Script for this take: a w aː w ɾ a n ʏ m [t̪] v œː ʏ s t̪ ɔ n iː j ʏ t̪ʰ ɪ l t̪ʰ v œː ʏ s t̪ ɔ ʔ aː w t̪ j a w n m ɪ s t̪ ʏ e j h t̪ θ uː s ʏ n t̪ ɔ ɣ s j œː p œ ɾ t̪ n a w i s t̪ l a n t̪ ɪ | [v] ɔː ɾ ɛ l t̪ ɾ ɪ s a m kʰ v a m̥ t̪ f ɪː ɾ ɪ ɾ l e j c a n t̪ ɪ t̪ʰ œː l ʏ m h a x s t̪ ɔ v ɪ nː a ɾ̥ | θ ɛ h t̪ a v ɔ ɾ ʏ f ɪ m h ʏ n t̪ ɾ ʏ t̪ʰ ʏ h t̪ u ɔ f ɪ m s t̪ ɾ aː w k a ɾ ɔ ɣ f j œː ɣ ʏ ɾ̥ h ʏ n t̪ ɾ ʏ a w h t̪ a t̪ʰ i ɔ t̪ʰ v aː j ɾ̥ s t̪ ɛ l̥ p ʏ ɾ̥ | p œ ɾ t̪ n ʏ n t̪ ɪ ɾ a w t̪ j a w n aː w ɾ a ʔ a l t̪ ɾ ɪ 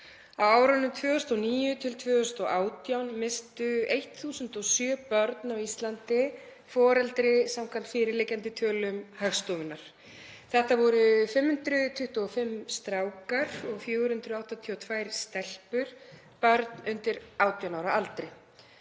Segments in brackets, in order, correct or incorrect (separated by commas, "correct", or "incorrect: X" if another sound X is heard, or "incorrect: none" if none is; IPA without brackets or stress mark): incorrect: t̪ʰ, incorrect: f